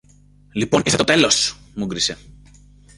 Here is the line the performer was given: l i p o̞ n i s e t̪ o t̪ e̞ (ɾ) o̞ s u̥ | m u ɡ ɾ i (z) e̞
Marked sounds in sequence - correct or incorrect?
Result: incorrect: l, incorrect: s

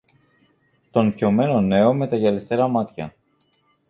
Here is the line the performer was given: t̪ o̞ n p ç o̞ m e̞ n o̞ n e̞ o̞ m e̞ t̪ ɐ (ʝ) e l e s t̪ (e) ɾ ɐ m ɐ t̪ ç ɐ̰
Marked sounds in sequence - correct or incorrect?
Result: correct, correct

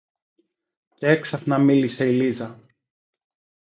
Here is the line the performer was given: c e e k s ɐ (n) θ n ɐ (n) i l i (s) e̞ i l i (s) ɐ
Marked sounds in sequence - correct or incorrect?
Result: incorrect: none, incorrect: m, correct, incorrect: z

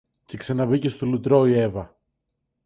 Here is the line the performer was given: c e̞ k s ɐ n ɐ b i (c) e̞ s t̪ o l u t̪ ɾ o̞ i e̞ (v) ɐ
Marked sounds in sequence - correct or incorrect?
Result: correct, correct

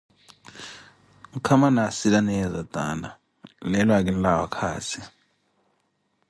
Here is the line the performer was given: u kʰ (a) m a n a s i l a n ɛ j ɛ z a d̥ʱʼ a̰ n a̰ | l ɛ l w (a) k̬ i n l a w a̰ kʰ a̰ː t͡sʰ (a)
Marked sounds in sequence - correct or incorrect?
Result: correct, correct, incorrect: i

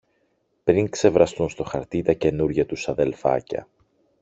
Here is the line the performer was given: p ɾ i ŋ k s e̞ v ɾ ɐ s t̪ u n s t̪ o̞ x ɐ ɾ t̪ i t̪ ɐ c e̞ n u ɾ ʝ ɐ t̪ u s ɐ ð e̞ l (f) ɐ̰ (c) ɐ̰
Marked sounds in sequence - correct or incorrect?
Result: correct, correct

